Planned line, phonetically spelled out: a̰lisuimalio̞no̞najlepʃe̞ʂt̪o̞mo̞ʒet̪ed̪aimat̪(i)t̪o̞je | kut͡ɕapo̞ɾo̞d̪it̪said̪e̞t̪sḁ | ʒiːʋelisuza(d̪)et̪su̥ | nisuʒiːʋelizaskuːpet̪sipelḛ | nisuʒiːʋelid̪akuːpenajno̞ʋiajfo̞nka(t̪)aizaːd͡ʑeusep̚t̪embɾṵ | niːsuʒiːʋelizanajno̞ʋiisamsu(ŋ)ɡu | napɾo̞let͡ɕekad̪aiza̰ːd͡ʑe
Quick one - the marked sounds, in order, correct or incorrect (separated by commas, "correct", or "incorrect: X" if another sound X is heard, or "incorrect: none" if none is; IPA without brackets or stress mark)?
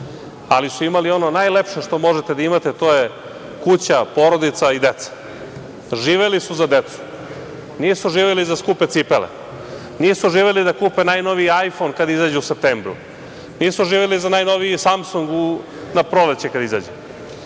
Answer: incorrect: e, correct, incorrect: d̪, correct